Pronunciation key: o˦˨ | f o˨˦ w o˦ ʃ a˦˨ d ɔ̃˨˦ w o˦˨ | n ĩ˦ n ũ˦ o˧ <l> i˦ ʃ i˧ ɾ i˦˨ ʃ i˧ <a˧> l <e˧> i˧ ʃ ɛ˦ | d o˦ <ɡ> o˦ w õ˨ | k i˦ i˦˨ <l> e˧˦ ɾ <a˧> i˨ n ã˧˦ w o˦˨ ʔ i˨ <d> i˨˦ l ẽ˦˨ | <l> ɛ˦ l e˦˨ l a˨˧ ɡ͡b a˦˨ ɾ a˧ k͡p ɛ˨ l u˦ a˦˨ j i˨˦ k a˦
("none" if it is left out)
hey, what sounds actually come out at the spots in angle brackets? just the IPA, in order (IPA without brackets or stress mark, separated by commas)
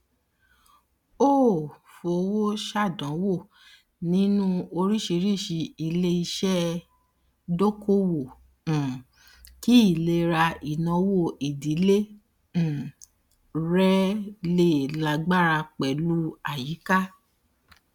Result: ɾ, i˧, e˧, k, l, a˧, d, ɾ